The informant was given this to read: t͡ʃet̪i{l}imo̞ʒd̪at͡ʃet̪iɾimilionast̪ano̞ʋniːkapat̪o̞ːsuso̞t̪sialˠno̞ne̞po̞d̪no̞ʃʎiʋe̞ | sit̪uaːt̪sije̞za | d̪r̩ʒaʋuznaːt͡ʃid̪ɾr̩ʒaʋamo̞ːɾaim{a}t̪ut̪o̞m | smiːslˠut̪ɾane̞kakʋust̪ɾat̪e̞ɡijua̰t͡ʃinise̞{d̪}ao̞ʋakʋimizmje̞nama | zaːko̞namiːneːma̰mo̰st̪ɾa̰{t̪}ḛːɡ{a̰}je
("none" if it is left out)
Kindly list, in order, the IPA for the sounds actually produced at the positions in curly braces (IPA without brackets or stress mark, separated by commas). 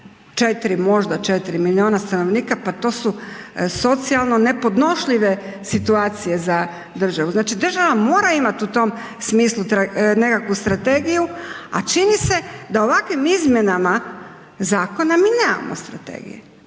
ɾ, a, d̪, t̪, ḭ